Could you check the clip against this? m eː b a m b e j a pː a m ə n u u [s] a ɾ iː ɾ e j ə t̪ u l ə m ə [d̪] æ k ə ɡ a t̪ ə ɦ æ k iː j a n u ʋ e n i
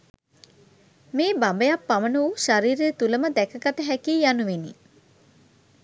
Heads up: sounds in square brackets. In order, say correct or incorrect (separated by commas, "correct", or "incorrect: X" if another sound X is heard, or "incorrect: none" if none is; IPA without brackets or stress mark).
incorrect: ʃ, correct